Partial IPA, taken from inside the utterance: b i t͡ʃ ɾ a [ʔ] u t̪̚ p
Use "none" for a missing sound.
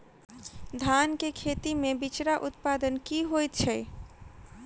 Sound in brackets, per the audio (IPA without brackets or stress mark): ʔ